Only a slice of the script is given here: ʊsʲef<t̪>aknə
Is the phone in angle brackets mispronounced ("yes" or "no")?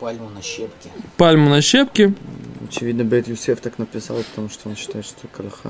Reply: no